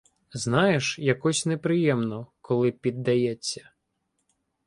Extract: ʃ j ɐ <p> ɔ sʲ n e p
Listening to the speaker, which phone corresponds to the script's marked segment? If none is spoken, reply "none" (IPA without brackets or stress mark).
k